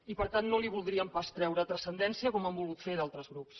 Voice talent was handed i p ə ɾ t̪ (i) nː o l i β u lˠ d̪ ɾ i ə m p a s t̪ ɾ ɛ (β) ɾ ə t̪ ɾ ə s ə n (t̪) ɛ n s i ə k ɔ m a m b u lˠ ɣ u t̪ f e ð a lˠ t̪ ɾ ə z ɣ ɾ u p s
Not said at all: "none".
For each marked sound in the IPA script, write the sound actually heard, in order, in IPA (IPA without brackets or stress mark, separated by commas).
a, w, d̪